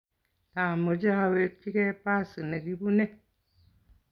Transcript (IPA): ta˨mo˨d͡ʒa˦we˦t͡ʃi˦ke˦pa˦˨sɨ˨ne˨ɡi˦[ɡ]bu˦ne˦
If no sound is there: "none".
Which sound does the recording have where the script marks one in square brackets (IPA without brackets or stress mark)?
none